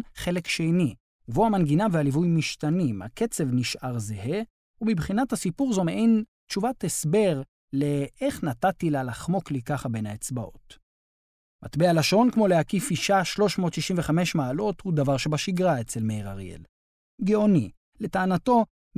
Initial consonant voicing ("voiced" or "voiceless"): voiceless